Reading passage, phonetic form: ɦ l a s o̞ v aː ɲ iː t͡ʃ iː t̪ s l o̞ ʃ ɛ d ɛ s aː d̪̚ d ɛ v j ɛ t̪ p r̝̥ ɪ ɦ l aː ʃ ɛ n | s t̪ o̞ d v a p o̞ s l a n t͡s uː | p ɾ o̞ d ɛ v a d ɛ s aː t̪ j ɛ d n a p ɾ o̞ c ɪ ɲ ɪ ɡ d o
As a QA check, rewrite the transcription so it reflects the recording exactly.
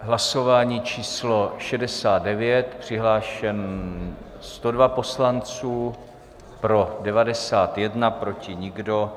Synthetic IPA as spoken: ɦ l a s o̞ v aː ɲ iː t͡ʃ iː s l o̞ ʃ ɛ d ɛ s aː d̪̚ d ɛ v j ɛ t̪ p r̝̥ ɪ ɦ l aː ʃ ɛ n | s t̪ o̞ d v a p o̞ s l a n t͡s uː | p ɾ o̞ d ɛ v a d ɛ s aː t̪ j ɛ d n a p ɾ o̞ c ɪ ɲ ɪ ɡ d o